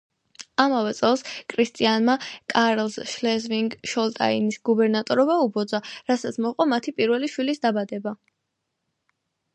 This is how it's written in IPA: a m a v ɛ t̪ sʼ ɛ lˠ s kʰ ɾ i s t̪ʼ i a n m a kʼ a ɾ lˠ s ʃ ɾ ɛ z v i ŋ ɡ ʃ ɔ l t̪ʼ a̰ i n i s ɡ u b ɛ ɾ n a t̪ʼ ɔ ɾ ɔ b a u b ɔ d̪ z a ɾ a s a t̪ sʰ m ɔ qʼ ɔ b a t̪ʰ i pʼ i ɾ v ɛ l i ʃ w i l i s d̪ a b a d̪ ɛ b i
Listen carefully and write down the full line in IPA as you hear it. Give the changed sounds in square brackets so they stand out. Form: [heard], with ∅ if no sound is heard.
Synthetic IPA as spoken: a m a v ɛ t̪ sʼ ɛ lˠ s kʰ ɾ i s t̪ʼ i a n m a kʼ a ɾ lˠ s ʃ [l] ɛ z v i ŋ ɡ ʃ ɔ l t̪ʼ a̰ i n i s ɡ u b ɛ ɾ n a t̪ʼ ɔ ɾ ɔ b a u b ɔ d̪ z a ɾ a s a t̪ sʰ m ɔ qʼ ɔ [m] a t̪ʰ i pʼ i ɾ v ɛ l i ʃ w i l i s d̪ a b a d̪ ɛ b [a]